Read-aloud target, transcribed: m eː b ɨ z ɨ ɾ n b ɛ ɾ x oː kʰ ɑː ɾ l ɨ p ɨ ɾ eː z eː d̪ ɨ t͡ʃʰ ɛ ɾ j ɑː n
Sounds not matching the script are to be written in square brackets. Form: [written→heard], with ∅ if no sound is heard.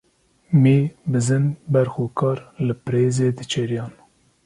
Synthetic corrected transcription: m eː b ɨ z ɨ [ɾ→∅] n b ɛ ɾ x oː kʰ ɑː ɾ l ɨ p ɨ ɾ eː z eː d̪ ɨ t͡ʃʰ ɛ ɾ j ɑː n